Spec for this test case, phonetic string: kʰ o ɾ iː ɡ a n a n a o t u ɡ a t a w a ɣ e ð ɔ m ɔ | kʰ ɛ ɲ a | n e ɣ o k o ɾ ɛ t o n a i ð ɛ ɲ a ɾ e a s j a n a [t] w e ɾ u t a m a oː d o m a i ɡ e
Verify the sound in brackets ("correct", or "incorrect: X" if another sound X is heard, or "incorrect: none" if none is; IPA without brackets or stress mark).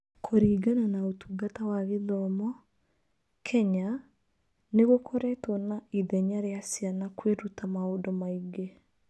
incorrect: k